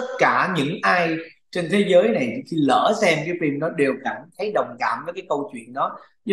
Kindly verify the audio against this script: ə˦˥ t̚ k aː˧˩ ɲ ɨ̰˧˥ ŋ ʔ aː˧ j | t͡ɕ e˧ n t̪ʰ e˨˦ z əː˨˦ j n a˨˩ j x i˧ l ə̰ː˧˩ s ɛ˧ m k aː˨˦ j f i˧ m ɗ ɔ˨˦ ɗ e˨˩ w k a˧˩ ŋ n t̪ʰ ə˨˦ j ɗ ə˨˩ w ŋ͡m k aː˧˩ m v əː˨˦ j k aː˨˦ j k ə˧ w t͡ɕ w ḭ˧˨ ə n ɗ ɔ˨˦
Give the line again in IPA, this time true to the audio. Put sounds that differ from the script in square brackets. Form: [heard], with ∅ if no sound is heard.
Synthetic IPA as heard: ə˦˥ t̚ k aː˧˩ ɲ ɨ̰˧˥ ŋ ʔ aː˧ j | t͡ɕ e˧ n t̪ʰ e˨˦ z əː˨˦ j n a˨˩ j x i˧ l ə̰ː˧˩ s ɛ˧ m k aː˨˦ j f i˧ m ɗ ɔ˨˦ ɗ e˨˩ w k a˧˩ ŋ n t̪ʰ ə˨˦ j ɗ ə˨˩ w ŋ͡m k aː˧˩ m v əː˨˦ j k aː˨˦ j k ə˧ w t͡ɕ w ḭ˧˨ ə n ɗ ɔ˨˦